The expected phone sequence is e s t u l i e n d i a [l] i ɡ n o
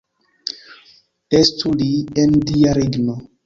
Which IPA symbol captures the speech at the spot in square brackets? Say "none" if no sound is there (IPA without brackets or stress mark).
ɾ